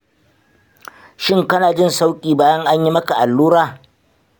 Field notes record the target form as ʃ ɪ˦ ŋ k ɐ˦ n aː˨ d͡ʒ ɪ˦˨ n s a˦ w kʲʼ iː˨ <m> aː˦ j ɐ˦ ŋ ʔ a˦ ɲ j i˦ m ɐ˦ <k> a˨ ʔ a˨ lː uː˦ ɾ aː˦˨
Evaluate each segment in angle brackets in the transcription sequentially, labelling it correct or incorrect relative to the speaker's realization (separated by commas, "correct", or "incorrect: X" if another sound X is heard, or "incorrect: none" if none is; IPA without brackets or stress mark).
incorrect: b, correct